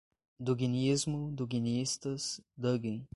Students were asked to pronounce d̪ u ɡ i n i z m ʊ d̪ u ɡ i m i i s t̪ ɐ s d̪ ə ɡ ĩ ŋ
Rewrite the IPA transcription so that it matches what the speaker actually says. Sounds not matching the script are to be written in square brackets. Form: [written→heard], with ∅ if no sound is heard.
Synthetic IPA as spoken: d̪ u ɡ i n i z m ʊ d̪ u ɡ i [m→n] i i s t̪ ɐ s d̪ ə ɡ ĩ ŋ